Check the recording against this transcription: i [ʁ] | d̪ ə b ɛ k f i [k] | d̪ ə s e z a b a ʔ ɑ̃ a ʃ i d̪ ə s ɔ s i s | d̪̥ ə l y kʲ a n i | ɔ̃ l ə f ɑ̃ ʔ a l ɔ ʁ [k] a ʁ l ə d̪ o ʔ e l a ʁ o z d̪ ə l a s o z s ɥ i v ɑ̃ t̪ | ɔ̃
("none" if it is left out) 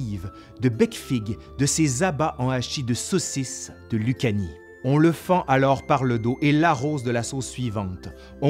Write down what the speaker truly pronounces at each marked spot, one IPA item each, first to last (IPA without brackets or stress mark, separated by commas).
v, ɡ, p